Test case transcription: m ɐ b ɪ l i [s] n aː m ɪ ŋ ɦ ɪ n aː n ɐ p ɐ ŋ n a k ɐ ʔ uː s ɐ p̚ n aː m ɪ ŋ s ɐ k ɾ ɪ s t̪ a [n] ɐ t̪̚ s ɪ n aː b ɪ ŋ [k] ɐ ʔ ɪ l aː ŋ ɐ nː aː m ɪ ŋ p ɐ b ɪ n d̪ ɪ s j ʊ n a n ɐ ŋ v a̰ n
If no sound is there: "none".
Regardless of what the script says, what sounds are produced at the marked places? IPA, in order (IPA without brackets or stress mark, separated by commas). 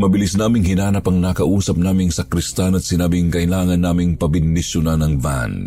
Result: s, n, k